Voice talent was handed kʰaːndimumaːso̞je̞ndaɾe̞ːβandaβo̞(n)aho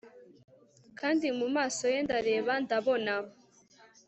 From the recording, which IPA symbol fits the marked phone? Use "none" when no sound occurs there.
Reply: n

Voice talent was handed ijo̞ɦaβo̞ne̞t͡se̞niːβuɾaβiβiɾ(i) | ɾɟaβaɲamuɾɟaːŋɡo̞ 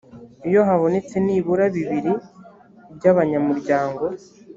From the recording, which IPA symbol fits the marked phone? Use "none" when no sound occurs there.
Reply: i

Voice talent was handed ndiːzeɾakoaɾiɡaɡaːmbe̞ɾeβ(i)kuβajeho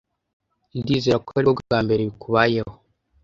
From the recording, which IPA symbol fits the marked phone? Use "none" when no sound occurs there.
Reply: i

